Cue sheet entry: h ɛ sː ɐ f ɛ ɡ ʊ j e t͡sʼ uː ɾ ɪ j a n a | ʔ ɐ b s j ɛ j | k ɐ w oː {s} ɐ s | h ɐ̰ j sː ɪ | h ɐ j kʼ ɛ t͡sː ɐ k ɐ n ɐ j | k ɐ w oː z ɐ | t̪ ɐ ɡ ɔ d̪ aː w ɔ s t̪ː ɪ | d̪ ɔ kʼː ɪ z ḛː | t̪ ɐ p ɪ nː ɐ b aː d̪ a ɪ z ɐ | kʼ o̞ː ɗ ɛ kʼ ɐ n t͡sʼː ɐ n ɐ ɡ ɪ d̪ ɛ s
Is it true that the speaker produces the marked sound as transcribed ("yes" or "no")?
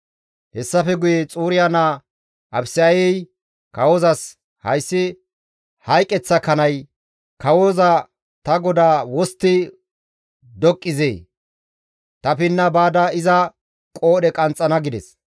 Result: no